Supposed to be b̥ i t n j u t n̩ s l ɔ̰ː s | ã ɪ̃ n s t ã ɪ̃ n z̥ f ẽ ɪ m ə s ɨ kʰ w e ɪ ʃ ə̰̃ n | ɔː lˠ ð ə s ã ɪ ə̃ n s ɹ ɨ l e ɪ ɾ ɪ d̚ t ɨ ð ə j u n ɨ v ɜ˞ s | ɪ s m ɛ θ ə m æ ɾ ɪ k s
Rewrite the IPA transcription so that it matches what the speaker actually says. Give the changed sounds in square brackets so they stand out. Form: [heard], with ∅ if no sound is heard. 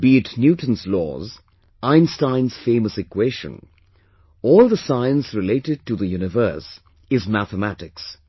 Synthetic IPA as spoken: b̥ i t n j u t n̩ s l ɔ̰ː [z] | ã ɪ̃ n s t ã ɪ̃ n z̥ f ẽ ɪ m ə s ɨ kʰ w e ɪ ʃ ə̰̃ n | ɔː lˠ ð ə s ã ɪ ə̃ n s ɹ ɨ l e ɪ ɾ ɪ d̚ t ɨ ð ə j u n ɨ v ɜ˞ s | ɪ [z] m [æ] θ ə m æ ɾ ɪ k s